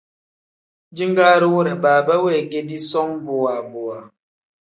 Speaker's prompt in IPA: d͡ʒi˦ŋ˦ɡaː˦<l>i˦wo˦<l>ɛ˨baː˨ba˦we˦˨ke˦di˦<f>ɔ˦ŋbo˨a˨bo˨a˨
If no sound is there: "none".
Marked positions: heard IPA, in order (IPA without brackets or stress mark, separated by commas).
ɾ, ɾ, s